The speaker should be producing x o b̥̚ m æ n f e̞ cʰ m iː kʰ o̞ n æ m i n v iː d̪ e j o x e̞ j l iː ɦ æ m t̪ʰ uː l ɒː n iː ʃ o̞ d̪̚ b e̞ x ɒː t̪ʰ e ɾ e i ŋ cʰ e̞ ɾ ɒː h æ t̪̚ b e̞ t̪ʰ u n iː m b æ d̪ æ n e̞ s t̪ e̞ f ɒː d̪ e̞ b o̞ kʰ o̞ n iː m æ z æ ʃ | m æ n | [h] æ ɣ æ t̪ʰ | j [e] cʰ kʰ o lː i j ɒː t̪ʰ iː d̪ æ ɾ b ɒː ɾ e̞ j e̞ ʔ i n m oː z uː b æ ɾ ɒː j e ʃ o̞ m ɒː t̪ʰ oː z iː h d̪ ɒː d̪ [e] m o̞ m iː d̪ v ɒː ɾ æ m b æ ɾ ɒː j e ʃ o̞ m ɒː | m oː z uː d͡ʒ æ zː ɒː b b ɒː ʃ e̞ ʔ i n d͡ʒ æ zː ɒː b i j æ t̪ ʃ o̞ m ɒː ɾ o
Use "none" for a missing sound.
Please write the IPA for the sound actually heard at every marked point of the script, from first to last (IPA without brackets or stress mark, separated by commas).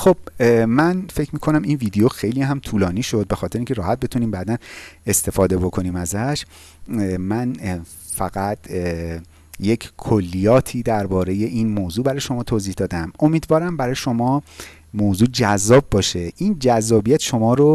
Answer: f, e, æ